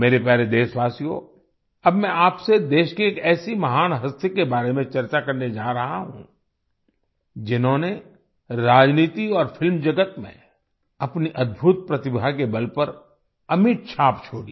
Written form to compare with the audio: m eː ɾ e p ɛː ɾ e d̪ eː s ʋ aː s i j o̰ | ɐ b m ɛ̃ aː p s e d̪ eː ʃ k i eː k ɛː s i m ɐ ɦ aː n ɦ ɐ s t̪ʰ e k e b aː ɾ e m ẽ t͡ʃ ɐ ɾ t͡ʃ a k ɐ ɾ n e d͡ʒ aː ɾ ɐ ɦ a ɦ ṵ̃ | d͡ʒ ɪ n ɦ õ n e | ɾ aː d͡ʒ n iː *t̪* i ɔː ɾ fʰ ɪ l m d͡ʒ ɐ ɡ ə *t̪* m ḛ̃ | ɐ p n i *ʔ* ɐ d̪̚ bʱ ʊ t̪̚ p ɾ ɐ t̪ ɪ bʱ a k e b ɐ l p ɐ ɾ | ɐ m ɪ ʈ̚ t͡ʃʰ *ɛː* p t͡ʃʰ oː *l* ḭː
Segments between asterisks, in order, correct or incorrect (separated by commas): correct, correct, correct, incorrect, incorrect